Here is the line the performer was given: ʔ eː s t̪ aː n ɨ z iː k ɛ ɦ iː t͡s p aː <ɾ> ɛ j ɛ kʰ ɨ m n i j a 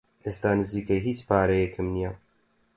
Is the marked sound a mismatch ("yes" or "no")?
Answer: no